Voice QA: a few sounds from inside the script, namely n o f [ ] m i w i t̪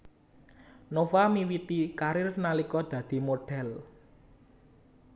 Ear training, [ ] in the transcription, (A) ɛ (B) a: B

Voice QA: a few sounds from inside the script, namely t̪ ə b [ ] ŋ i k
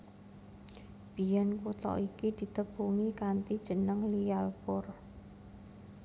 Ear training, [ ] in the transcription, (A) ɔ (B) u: B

